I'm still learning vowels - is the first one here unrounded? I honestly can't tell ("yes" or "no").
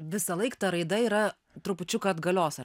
yes